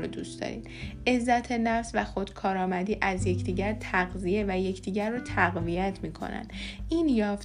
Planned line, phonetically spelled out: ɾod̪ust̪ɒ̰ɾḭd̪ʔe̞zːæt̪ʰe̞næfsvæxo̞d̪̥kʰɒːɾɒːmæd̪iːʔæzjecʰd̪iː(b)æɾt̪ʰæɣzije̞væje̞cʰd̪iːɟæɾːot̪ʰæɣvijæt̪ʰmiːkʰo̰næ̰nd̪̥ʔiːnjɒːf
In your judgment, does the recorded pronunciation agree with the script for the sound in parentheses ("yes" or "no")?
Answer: no